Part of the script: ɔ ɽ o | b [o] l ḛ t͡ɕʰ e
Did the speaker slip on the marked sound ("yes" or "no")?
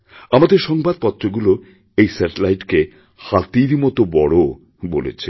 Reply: no